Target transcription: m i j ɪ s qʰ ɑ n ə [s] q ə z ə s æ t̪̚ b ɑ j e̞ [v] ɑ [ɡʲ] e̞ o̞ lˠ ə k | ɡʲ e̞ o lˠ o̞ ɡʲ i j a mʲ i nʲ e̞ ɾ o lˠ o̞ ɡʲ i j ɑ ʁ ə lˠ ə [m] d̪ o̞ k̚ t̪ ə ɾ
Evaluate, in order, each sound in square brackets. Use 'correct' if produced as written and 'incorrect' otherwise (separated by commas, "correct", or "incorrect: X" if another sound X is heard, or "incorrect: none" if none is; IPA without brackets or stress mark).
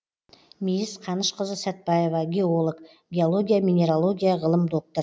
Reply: incorrect: ʃ, correct, correct, correct